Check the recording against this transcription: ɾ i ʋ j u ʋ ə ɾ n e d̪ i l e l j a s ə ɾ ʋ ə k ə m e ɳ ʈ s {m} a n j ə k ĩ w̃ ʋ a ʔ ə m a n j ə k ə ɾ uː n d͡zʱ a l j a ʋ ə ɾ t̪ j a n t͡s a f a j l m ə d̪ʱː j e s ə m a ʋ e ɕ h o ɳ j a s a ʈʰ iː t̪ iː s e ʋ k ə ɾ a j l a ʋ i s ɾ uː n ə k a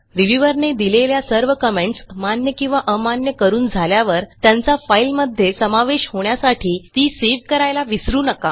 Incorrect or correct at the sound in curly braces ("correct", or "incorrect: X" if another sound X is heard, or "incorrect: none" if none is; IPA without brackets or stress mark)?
correct